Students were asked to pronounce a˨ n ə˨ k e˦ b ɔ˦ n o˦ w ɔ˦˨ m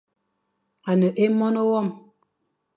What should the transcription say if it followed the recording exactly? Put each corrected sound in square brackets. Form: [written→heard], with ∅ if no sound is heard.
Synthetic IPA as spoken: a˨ n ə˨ [k→ʔ] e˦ [b→m] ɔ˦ n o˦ w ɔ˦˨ m